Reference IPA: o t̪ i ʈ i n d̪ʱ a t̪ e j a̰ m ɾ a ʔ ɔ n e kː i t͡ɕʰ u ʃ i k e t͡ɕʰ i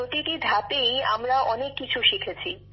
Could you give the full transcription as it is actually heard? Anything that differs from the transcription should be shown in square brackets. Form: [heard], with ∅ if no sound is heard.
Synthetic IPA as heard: o t̪ i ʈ i [∅] d̪ʱ a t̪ e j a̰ m ɾ a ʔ ɔ n e kː i t͡ɕʰ u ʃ i [kʰ] e t͡ɕʰ i